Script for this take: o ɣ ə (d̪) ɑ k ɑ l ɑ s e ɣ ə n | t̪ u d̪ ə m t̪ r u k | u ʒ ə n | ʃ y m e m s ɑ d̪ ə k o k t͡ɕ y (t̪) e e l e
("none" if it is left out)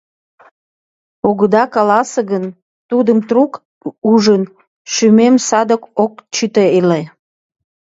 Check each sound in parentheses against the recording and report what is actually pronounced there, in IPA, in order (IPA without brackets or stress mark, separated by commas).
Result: d̪, t̪